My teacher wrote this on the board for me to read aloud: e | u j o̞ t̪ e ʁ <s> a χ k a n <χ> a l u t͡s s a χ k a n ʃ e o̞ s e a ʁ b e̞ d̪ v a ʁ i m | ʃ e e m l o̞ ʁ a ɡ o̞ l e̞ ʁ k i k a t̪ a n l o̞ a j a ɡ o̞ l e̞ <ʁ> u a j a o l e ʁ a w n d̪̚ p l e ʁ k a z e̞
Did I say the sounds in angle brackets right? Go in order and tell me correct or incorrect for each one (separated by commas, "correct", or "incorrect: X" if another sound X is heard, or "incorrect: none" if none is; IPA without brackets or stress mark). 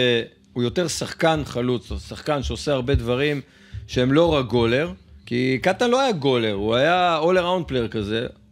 correct, correct, correct